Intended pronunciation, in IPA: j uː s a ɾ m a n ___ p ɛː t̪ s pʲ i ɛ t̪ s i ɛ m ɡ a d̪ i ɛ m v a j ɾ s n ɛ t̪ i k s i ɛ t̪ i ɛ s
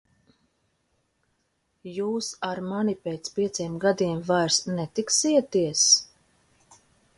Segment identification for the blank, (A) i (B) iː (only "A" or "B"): A